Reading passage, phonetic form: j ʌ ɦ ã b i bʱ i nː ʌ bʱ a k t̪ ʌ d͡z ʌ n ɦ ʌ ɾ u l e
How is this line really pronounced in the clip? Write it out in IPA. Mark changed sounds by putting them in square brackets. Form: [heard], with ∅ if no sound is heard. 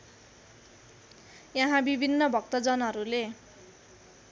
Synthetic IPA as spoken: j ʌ ɦ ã b i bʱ i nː ʌ bʱ [ʌ] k t̪ ʌ d͡z ʌ n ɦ ʌ ɾ u l e